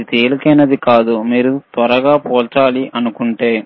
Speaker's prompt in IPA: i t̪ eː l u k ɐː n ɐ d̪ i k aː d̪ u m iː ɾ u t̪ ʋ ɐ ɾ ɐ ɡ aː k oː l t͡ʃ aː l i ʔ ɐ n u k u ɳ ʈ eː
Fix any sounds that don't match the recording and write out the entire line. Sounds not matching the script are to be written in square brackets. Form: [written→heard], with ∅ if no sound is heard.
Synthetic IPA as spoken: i t̪ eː l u k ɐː n ɐ d̪ i k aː d̪ u m iː ɾ u t̪ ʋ ɐ ɾ ɐ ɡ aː [k→p] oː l t͡ʃ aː l i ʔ ɐ n u k u ɳ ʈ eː